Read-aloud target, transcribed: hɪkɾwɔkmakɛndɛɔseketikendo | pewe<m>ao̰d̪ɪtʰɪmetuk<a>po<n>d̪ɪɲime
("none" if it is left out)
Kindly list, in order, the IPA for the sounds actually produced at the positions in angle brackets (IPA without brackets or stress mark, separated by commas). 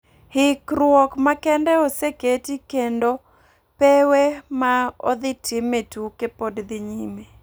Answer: m, e, d